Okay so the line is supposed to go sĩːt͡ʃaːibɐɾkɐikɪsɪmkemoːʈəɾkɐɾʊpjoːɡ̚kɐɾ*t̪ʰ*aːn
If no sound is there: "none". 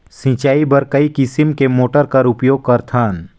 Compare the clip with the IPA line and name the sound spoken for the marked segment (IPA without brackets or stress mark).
t̪ʰ